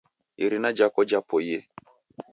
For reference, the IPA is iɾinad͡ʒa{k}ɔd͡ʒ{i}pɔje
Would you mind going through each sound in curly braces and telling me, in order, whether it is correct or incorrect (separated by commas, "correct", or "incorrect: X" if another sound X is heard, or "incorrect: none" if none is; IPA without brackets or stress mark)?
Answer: correct, incorrect: a